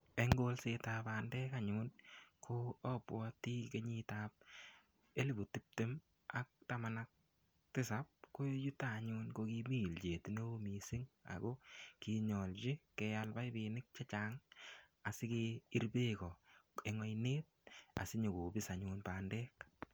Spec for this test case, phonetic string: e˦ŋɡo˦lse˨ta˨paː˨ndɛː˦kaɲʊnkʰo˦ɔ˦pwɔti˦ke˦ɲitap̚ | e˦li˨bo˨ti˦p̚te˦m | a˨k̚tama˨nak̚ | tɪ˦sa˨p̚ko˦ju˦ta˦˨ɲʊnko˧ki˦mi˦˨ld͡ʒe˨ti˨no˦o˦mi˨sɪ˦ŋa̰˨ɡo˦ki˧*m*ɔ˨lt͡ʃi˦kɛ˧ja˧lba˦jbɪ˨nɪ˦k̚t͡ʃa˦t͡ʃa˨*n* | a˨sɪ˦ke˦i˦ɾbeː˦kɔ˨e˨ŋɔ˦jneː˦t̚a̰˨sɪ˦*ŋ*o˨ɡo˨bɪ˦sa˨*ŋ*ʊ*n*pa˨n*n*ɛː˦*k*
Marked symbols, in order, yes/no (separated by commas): no, no, no, no, yes, no, yes